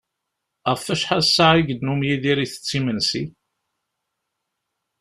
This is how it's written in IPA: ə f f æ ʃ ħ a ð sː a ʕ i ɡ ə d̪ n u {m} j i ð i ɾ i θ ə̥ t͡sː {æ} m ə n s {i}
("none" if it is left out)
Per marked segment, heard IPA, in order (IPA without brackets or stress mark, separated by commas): m, i, i